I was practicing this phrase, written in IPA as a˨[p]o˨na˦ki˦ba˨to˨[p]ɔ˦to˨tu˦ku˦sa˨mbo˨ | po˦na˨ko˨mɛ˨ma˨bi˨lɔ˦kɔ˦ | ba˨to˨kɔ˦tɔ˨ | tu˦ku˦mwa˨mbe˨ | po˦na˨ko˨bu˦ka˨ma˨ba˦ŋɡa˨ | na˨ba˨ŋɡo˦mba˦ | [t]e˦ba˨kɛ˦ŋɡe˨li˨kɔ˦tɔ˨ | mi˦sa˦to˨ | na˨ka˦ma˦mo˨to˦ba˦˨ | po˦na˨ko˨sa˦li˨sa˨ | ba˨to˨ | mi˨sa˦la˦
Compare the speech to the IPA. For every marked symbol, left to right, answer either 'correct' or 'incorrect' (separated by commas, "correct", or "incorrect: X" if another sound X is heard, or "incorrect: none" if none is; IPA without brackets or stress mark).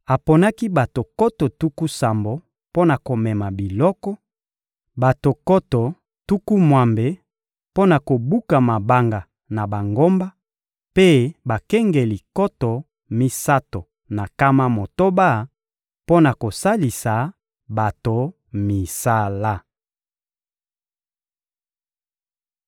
correct, incorrect: k, incorrect: p